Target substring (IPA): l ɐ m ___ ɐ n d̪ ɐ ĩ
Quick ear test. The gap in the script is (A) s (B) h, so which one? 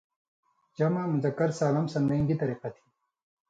A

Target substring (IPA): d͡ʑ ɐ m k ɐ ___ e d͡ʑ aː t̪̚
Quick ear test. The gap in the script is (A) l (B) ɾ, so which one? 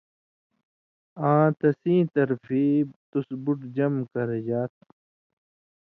B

